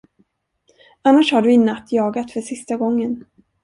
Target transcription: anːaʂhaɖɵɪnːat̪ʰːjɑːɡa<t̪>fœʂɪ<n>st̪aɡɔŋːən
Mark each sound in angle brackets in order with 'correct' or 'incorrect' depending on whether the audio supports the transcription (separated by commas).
correct, incorrect